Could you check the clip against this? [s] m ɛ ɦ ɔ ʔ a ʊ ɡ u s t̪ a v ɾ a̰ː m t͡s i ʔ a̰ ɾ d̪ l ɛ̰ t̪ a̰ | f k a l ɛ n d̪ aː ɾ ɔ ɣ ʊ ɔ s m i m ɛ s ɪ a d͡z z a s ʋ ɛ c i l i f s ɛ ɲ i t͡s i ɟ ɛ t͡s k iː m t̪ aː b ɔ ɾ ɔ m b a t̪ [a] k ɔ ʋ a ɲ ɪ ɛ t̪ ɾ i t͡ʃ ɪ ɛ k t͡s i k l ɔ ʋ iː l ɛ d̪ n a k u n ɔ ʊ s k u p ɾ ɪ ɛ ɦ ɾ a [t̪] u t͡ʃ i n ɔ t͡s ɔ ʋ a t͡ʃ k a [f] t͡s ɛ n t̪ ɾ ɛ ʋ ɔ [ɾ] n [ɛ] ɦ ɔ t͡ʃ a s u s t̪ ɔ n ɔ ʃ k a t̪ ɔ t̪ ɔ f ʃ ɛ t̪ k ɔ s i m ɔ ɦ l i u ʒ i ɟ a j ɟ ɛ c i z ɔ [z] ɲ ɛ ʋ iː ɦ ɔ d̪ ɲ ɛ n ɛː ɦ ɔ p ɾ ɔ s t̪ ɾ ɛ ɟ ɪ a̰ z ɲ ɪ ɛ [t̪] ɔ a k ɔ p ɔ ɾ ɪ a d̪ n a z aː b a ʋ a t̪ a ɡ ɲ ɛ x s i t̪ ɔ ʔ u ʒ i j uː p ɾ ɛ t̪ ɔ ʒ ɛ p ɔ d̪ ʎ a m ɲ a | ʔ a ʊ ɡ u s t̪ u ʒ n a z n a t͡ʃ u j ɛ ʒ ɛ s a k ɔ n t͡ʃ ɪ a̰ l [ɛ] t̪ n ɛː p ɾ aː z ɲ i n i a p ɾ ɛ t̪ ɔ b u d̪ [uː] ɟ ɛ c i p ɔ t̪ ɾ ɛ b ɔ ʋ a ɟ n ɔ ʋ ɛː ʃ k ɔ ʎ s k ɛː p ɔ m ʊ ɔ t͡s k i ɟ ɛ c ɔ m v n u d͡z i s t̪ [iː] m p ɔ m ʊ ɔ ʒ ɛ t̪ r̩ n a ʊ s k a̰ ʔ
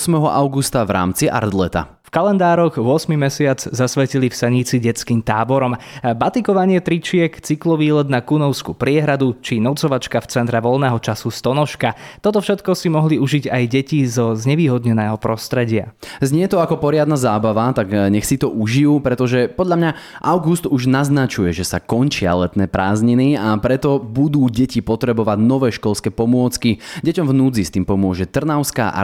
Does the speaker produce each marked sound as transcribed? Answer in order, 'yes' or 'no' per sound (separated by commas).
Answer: yes, no, no, yes, no, no, yes, yes, yes, yes, yes